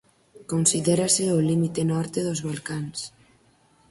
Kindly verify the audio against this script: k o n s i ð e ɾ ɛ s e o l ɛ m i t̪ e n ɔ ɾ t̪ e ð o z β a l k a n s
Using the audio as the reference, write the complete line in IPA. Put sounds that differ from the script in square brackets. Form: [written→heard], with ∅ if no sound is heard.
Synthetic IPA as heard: k o n s i ð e ɾ [ɛ→a] s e o l [ɛ→i] m i t̪ e n ɔ ɾ t̪ e ð o z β a l k a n s